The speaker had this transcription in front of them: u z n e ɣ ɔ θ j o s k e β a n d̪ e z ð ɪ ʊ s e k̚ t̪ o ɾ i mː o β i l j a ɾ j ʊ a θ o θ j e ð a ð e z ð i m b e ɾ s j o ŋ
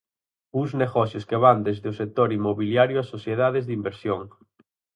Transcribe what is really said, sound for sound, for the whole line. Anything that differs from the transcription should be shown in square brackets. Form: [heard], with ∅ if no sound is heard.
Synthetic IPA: u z n e ɣ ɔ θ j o s k e β a n d̪ e z ð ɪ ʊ s e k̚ t̪ o ɾ i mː o β i l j a ɾ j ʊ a [s] o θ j e ð a ð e z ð i m b e ɾ s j o ŋ